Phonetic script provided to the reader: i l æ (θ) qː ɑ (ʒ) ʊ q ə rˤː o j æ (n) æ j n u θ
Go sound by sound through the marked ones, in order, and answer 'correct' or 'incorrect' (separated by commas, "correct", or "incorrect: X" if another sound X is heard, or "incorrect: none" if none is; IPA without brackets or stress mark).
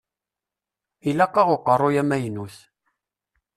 incorrect: none, incorrect: ʁ, incorrect: m